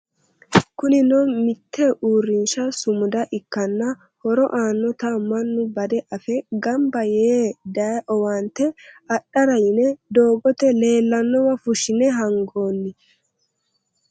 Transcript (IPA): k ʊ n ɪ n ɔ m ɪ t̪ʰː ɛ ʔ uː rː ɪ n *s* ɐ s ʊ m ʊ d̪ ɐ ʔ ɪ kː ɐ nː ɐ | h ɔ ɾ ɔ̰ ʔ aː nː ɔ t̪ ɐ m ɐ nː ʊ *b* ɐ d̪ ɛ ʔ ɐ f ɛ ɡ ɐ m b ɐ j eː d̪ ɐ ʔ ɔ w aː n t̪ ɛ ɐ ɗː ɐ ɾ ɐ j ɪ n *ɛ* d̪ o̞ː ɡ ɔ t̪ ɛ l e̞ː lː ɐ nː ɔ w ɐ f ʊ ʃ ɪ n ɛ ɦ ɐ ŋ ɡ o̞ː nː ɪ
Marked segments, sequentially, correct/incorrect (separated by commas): incorrect, correct, correct